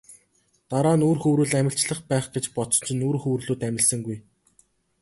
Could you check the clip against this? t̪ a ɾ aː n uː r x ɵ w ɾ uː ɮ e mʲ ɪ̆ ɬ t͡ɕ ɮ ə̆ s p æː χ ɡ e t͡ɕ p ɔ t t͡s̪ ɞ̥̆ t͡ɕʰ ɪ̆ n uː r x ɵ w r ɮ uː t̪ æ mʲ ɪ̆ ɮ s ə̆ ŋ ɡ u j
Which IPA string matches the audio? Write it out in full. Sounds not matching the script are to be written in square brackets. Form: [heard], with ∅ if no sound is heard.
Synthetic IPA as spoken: t̪ a ɾ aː n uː r x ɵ w ɾ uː ɮ [æ] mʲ ɪ̆ ɬ t͡ɕ ɮ ə̆ [χ] p æː χ ɡ e t͡ɕ p ɔ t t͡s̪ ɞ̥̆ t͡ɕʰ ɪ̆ n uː r x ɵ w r ɮ uː t̪ æ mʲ ɪ̆ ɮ s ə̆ ŋ ɡ u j